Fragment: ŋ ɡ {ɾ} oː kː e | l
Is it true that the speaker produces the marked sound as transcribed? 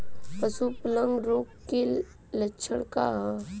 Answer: yes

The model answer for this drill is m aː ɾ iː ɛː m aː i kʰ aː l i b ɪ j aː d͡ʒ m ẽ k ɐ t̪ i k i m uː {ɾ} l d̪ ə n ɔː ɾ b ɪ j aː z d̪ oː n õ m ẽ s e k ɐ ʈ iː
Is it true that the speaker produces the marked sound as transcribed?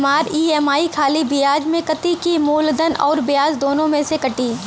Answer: no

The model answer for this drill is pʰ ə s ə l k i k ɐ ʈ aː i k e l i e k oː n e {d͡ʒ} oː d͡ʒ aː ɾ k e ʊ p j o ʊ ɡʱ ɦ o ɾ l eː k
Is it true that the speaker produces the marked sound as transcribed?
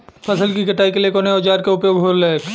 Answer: no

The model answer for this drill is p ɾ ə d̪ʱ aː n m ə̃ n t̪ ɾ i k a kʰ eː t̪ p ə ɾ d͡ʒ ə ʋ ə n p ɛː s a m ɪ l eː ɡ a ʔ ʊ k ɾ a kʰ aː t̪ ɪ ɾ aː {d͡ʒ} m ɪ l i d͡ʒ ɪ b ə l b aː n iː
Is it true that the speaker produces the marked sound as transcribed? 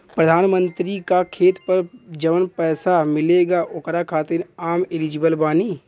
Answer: no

